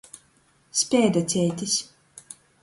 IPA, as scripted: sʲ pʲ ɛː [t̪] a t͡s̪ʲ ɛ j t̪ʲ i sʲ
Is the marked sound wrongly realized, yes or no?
yes